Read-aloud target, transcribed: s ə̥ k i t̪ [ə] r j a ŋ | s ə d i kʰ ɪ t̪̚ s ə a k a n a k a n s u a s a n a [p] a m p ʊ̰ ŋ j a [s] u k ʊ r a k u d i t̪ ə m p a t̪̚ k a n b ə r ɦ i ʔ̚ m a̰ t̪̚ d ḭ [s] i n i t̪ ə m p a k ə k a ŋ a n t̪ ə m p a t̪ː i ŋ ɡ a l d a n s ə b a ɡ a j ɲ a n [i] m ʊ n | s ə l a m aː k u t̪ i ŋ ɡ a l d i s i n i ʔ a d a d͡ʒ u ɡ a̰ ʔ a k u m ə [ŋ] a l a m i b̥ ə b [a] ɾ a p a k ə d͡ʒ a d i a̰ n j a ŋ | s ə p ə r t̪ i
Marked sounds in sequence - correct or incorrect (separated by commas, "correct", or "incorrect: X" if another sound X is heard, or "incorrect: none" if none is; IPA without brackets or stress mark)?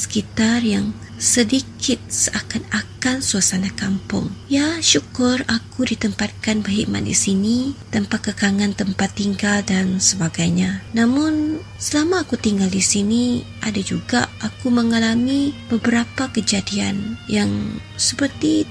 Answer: incorrect: a, incorrect: k, incorrect: ʃ, correct, incorrect: a, correct, incorrect: ə